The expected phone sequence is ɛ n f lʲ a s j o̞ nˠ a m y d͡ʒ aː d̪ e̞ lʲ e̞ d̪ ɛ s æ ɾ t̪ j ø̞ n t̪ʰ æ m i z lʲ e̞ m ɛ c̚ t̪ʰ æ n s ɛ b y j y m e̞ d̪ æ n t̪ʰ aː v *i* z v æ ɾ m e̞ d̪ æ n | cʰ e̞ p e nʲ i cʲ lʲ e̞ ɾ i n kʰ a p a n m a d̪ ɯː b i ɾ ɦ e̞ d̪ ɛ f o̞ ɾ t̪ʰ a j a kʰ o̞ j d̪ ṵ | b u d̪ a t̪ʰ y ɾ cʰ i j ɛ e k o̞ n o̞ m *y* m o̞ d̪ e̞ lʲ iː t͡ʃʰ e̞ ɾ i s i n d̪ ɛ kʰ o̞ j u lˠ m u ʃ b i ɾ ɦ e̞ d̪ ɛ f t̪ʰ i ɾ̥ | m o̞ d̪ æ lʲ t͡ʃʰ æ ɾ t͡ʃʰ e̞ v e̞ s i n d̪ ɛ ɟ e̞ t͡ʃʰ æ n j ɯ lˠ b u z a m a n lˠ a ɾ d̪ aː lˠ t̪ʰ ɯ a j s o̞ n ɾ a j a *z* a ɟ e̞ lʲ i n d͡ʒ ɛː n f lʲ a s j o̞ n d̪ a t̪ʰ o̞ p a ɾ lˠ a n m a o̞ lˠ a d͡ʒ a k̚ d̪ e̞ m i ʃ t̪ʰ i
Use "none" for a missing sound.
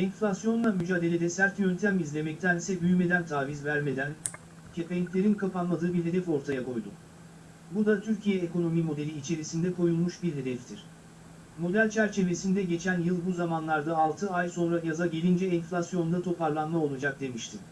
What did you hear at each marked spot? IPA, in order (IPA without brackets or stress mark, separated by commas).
i, i, z